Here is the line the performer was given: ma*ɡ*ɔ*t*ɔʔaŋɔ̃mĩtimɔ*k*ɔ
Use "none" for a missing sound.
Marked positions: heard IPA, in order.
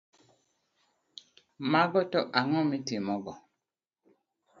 ɡ, t, ɡ

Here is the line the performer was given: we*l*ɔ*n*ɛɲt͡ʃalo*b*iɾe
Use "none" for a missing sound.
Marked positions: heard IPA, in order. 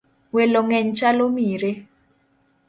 l, ŋ, m

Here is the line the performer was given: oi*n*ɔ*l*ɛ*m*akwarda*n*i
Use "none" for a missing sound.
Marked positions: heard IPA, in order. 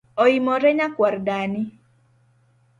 m, ɾ, ɲ, n

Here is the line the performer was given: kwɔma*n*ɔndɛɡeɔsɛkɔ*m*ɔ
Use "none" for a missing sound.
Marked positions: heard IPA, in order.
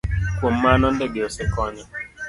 n, ɲ

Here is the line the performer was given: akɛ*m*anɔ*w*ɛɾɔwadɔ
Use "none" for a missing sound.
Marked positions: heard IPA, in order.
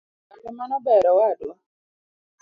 m, b

